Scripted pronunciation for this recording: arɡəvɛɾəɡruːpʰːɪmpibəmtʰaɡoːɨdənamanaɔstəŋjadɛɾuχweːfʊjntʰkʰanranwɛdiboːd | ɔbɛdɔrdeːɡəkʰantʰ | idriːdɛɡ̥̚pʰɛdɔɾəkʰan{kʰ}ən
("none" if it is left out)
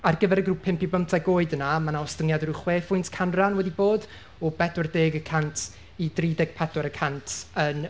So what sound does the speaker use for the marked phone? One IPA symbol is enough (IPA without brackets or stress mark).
tʰ